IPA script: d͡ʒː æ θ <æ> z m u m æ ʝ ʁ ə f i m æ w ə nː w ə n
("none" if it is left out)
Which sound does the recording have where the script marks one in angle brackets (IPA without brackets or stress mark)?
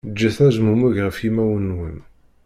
æ